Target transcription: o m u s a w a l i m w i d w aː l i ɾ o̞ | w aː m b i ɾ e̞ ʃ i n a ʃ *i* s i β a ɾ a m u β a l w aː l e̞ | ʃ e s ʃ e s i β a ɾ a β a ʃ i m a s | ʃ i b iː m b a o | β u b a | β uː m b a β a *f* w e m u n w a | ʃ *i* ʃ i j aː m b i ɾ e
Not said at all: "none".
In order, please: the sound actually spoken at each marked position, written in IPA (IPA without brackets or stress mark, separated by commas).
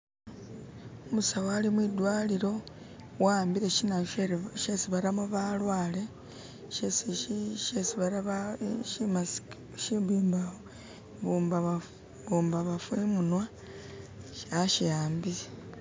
e, f, a